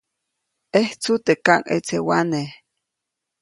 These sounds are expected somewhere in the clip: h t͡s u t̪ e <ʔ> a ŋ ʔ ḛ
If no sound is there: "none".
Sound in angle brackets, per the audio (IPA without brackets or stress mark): k